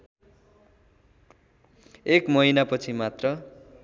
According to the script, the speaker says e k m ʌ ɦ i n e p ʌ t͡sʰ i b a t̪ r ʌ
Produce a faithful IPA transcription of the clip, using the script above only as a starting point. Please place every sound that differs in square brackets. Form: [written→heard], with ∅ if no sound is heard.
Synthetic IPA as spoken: e k m ʌ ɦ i n [e→a] p ʌ t͡sʰ i [b→m] a t̪ r ʌ